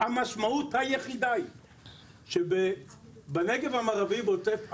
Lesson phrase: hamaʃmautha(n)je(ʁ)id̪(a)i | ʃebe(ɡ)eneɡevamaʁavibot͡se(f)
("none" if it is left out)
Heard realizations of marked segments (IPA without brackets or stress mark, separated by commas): none, χ, a, b, f